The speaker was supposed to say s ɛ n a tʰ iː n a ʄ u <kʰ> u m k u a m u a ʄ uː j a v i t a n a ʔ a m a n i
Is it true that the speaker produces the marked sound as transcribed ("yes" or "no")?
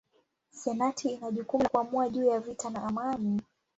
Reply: no